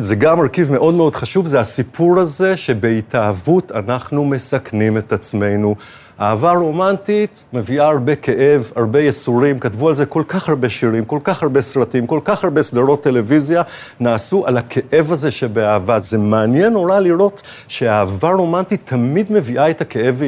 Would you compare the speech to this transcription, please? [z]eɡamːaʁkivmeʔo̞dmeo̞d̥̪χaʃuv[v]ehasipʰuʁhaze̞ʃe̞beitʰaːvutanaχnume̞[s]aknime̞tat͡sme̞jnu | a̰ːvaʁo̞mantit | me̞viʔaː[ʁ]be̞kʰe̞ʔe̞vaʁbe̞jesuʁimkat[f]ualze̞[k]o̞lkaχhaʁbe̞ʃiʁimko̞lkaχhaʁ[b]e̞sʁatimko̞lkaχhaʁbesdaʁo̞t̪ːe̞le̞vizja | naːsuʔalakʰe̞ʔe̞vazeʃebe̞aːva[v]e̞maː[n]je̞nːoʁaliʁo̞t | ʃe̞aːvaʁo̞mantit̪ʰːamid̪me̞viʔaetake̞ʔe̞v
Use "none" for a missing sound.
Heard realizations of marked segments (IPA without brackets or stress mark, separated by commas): z, z, s, ʁ, v, k, b, z, n